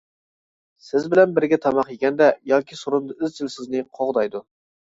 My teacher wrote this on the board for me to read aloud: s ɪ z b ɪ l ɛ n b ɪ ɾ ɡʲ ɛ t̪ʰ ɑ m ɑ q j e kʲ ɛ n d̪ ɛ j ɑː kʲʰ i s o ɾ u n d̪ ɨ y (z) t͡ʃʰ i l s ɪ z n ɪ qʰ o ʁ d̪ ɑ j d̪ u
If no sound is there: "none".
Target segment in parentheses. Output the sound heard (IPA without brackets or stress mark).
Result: z